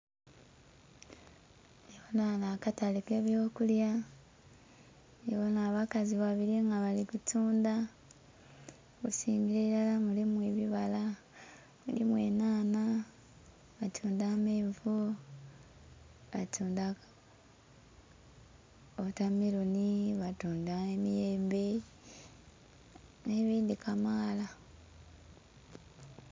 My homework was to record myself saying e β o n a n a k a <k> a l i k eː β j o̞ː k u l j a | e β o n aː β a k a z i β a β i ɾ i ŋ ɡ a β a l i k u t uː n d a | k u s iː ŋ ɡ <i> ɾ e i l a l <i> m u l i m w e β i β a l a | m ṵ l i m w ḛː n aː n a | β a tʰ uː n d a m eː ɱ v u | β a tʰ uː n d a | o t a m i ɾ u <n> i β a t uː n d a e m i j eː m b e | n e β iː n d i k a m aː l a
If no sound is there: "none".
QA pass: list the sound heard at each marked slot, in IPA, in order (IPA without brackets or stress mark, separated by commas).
t, i, a, n